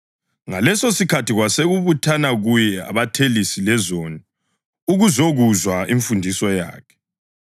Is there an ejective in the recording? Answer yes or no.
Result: no